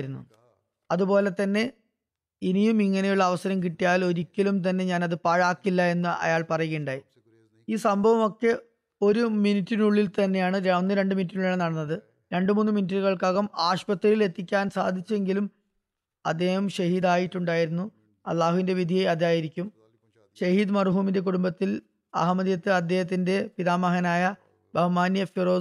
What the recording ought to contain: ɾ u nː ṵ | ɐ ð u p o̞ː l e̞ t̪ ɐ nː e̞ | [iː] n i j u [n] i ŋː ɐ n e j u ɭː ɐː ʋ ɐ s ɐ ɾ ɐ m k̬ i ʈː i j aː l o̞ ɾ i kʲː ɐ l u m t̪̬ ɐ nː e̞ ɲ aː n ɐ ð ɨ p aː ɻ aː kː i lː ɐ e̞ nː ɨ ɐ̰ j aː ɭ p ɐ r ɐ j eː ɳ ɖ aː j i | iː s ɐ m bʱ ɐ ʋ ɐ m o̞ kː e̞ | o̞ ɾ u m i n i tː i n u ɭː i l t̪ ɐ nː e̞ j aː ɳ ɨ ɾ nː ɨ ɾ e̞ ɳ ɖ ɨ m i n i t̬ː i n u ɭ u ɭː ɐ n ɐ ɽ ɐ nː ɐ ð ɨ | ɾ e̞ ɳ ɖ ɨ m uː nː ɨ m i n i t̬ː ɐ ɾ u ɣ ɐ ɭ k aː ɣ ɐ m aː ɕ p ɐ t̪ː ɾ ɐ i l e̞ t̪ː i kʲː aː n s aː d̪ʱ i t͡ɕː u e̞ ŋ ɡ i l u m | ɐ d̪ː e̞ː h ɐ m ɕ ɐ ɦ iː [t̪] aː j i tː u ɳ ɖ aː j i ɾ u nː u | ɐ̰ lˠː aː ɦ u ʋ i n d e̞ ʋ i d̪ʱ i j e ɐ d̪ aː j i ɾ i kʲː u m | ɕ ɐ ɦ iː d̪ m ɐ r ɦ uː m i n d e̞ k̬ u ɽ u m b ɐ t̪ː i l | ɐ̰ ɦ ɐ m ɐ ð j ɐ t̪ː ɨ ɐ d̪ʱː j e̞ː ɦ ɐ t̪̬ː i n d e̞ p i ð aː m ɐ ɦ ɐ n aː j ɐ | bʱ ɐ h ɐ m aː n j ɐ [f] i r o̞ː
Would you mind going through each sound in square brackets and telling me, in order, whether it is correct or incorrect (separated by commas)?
incorrect, incorrect, incorrect, correct